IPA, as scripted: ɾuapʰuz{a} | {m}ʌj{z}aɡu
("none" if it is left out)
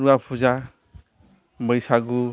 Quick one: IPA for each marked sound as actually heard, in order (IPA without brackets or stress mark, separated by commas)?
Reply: a, m, s